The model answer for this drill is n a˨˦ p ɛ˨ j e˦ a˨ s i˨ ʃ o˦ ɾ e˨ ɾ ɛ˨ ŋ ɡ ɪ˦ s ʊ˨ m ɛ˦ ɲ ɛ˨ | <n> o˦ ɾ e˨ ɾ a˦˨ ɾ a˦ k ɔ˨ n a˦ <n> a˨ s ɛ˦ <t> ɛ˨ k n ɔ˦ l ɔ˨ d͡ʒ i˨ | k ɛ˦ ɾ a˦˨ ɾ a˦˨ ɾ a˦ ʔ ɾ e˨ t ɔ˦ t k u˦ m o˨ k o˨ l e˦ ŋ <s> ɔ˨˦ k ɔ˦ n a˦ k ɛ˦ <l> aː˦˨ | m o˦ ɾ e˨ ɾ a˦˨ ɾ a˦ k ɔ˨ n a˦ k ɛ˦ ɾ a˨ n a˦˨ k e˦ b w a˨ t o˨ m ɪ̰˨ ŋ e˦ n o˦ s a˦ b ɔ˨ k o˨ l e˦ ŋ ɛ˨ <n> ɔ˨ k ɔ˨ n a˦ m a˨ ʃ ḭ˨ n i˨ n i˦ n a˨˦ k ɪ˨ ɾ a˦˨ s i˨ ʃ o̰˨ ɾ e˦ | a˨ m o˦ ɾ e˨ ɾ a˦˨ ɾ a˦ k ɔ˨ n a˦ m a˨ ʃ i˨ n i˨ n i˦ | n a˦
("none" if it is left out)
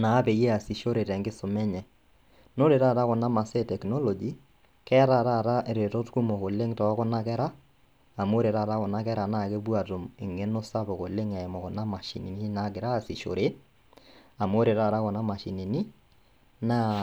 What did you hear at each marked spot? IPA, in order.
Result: n, m, t, t, ɾ, m

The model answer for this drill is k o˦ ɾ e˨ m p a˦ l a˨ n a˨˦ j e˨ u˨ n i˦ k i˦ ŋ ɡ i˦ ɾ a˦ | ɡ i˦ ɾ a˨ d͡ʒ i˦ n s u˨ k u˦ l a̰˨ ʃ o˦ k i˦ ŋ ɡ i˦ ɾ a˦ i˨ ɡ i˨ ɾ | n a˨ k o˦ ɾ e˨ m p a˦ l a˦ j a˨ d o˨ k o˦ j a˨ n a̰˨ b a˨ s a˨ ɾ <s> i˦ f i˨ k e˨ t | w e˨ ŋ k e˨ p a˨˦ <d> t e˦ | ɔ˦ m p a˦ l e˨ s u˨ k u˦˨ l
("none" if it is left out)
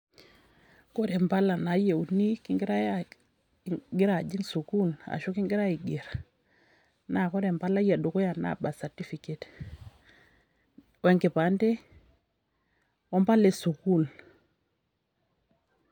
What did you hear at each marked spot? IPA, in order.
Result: t, n

